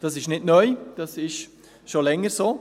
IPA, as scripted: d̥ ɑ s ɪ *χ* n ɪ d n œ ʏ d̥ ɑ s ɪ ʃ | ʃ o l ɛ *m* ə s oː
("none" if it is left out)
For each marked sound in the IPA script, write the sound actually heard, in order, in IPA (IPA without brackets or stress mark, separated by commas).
ʃ, ŋ